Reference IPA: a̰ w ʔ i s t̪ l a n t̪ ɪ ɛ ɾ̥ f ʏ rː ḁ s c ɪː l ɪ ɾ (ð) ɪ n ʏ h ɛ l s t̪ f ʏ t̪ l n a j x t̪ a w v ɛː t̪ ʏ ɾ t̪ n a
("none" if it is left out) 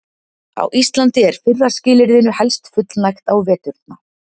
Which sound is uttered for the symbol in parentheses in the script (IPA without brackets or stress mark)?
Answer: ð